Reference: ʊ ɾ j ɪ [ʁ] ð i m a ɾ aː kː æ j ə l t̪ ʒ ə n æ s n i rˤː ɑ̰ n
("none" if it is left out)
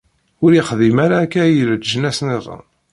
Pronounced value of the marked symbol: χ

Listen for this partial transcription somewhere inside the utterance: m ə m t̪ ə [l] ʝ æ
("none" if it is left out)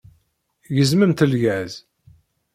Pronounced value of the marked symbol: l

